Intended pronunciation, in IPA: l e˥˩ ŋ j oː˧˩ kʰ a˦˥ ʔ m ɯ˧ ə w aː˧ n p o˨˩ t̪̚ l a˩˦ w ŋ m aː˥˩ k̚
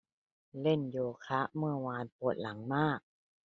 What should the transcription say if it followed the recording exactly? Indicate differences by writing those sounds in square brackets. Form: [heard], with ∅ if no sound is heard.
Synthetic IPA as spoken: l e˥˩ [n] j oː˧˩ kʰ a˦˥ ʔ m [ɯ˥˩] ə w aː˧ n p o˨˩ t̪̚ l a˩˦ [∅] ŋ m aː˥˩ k̚